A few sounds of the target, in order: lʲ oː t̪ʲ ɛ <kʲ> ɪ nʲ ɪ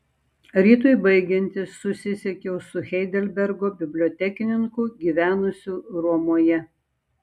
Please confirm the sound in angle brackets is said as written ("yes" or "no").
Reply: yes